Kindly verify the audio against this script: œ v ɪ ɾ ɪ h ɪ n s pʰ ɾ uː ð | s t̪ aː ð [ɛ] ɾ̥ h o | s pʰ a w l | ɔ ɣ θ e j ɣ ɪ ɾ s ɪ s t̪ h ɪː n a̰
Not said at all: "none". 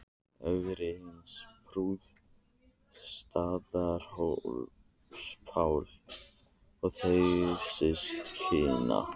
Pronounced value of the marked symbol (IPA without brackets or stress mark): a